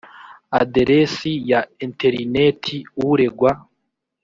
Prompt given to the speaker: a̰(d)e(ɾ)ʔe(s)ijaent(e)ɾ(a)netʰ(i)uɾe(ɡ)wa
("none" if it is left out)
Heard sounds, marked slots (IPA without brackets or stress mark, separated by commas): d, ɾ, s, e, i, i, ɡ